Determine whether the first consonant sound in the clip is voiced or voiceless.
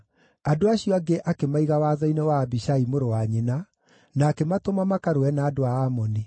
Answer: voiced